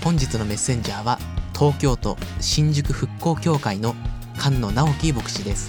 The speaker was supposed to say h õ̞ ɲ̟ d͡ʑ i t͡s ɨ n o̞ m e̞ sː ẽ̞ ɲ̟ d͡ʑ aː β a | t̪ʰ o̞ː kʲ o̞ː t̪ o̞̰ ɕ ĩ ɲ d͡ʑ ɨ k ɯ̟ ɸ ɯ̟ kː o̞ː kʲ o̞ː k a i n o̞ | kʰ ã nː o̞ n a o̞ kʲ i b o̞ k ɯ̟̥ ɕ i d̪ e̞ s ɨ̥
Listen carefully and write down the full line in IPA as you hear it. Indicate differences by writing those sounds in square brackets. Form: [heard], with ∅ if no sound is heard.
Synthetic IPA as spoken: h õ̞ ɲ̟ d͡ʑ i t͡s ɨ n o̞ m e̞ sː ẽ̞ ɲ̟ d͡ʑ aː β a | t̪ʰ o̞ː kʲ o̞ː t̪ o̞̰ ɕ ĩ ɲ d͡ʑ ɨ k ɯ̟ ɸ ɯ̟ kː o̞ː kʲ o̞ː k a i n o̞ | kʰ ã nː o̞ n a o̞ kʲ i b o̞ k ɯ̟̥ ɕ i d̪ e̞ s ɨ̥